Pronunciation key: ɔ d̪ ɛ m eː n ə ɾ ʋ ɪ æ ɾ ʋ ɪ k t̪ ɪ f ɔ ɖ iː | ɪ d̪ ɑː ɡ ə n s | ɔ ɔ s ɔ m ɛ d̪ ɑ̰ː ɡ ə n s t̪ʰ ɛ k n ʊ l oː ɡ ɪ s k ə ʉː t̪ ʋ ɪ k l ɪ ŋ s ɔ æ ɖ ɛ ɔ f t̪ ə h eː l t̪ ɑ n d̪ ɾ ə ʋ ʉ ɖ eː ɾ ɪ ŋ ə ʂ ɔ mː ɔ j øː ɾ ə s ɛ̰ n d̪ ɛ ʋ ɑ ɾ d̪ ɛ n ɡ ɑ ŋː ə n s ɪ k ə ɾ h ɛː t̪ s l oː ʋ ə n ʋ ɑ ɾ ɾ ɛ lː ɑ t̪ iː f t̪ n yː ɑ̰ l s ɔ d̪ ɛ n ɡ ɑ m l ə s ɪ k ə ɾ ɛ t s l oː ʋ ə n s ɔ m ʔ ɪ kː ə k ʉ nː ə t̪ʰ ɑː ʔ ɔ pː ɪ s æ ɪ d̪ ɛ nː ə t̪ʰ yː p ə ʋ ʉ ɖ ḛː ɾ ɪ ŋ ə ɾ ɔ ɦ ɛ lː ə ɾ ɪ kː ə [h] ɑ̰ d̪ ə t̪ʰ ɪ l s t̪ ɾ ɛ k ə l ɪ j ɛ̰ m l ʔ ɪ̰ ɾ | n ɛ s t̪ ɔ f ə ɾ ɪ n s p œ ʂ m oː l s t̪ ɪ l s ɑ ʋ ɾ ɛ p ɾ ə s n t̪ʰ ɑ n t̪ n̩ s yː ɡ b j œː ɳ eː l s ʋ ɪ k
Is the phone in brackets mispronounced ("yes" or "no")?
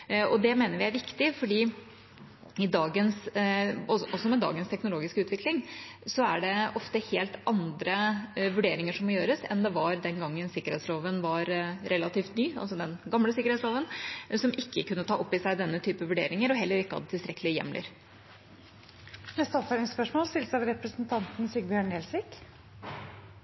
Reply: no